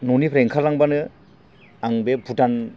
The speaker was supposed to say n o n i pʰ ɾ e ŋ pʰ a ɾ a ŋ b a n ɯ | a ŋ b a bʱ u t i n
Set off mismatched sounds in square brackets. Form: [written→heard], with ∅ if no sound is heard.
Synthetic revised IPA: n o n i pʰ ɾ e ŋ [pʰ→kʰ] a [ɾ→l] a ŋ b a n ɯ | a ŋ b [a→e] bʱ u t [i→a] n